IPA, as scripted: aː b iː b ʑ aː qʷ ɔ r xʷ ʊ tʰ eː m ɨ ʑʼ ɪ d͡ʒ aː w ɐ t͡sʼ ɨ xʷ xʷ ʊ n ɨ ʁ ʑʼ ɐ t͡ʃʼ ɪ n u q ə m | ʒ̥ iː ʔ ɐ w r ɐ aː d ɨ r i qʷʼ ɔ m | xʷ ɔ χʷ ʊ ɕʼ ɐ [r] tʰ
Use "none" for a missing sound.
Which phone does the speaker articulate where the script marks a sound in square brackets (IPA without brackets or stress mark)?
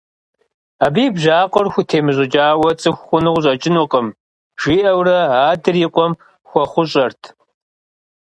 r